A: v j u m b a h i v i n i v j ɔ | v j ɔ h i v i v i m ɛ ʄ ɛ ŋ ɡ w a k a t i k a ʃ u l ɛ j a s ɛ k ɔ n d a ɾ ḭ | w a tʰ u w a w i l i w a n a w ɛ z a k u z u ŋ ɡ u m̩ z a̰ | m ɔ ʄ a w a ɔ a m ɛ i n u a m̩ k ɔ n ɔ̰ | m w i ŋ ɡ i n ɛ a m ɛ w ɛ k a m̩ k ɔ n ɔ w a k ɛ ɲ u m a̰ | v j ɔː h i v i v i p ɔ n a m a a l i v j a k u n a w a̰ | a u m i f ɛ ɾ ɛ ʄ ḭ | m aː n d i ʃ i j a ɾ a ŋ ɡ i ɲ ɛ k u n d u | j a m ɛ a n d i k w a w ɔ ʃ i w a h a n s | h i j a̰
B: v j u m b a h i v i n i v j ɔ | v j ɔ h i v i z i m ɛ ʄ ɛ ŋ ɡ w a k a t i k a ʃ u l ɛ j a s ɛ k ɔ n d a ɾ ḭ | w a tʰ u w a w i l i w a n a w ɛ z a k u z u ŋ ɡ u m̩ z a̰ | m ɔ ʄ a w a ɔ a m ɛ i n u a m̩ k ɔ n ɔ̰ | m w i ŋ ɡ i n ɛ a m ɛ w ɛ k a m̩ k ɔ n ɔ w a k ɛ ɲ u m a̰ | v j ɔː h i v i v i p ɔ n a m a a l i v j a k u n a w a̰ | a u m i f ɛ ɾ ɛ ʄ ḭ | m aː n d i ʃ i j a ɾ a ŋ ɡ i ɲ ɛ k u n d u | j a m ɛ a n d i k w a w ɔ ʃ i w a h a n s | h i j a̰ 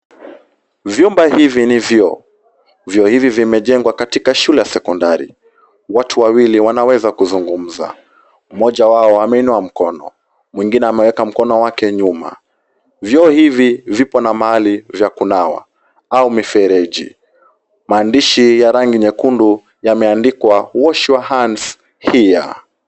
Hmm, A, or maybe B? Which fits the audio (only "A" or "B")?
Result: A